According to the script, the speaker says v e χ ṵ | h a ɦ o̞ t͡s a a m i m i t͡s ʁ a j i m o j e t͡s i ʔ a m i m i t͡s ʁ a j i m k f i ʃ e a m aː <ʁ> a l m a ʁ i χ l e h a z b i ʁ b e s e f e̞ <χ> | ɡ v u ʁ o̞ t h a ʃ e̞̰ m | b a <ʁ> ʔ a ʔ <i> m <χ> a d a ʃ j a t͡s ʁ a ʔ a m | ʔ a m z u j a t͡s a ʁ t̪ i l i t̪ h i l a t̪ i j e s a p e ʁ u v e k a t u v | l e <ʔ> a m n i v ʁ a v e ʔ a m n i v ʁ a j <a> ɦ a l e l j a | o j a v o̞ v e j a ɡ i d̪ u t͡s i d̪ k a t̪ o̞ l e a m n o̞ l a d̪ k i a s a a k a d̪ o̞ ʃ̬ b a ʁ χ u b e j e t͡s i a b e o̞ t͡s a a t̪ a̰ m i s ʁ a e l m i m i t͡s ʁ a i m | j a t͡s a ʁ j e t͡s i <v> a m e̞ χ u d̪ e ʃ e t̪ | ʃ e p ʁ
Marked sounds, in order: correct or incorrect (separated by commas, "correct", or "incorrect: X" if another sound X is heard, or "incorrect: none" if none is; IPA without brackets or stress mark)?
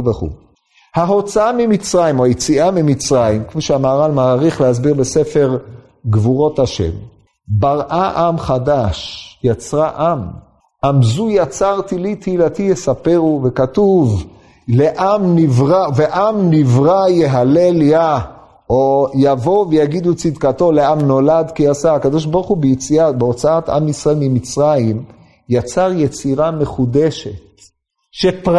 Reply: correct, incorrect: ʁ, correct, incorrect: a, correct, correct, incorrect: e, incorrect: ʁ